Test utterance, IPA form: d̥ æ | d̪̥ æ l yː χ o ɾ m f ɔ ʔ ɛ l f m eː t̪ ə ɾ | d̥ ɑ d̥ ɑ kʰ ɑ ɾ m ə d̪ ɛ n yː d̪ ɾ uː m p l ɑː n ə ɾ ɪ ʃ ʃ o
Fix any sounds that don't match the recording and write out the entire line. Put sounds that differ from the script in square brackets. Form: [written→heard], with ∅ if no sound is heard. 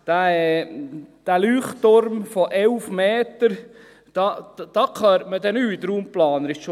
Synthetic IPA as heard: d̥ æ | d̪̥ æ l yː χ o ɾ m f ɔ ʔ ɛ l f m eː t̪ ə ɾ | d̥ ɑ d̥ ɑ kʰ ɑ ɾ m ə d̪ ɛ n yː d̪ ɾ uː m p l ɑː n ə ɾ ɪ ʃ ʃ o